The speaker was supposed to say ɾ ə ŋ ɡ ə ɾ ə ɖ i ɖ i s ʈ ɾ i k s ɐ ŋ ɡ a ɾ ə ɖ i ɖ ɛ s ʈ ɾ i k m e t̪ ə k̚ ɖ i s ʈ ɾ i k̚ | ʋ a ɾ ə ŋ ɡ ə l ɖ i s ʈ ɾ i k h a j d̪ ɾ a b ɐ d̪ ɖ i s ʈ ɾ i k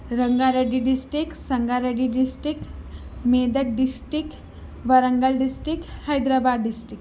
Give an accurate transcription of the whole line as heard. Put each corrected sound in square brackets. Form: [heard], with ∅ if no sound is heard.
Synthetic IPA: ɾ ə ŋ ɡ [a] ɾ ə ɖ i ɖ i s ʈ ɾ i k s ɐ ŋ ɡ a ɾ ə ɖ i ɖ [i] s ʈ ɾ i k m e [d̪] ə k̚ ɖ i s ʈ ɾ i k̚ | ʋ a ɾ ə ŋ ɡ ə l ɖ i s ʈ ɾ i k h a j d̪ ɾ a b [a] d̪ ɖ i s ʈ ɾ i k